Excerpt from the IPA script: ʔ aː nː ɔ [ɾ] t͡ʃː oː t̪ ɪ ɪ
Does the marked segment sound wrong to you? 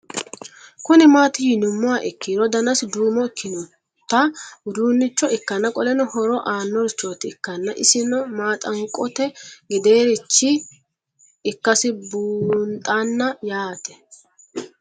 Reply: no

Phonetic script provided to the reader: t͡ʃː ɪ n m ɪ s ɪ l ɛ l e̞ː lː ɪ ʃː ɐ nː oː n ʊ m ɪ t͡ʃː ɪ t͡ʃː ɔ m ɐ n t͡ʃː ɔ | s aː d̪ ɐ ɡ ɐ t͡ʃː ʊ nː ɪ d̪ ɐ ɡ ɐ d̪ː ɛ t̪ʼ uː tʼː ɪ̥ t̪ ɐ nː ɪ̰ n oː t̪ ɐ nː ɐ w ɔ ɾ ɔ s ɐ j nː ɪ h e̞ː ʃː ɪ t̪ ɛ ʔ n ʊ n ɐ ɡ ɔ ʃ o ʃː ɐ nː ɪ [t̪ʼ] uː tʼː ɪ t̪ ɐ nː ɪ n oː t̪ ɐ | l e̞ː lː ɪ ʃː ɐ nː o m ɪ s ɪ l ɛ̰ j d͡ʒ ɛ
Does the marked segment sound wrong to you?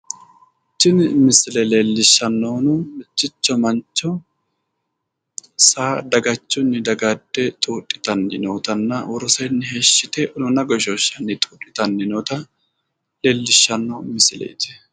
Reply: no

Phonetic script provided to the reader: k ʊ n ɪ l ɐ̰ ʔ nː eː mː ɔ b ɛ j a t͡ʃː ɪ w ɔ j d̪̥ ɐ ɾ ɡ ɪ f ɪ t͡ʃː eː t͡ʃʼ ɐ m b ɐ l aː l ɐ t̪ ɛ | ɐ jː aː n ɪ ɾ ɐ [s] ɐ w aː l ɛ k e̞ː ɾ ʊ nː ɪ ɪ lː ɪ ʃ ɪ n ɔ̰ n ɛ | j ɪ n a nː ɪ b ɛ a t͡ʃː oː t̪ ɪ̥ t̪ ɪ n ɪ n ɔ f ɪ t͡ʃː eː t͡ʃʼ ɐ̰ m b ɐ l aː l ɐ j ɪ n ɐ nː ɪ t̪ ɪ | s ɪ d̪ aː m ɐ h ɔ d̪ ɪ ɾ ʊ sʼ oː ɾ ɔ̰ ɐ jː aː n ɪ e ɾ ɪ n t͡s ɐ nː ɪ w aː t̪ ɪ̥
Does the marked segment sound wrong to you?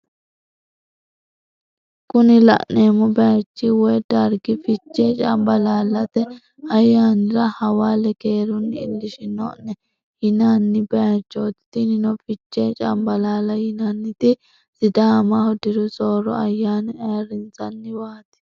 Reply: yes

